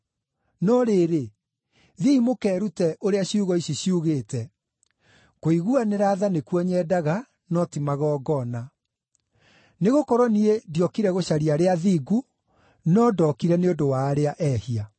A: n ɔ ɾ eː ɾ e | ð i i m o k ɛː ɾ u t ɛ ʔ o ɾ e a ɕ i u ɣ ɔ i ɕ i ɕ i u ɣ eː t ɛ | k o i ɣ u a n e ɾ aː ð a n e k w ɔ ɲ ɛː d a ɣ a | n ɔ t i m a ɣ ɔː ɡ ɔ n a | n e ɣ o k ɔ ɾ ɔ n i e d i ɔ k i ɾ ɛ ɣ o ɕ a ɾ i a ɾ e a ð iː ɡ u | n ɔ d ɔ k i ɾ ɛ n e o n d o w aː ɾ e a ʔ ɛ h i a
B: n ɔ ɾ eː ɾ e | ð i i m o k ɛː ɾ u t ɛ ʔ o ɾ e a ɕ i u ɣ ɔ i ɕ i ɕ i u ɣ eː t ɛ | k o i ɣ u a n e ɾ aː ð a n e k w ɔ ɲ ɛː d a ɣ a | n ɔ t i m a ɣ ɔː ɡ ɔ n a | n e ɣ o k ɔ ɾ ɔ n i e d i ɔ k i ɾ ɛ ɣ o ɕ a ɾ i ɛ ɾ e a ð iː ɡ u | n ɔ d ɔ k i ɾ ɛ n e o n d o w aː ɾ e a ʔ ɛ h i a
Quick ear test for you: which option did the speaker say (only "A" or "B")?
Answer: A